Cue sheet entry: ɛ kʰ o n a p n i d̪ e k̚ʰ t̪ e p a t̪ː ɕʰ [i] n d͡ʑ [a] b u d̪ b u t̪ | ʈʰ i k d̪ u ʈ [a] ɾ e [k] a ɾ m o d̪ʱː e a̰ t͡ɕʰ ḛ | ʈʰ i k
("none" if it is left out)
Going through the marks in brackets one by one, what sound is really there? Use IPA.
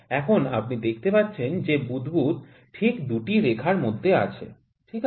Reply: e, e, i, kʰ

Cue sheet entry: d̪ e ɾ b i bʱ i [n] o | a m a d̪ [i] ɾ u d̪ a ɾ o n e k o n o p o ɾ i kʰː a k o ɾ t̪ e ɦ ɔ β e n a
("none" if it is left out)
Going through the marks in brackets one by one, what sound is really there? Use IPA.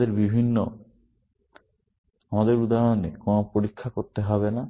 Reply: nː, e

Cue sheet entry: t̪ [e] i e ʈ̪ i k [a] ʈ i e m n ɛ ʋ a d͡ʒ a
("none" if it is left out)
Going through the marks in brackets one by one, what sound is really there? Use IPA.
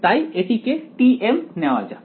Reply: a, e

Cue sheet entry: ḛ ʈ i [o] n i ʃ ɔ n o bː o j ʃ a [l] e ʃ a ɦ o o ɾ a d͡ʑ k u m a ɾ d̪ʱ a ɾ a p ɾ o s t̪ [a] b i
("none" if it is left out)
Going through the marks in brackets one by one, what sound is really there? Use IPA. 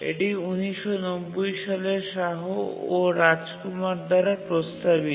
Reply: u, l, a

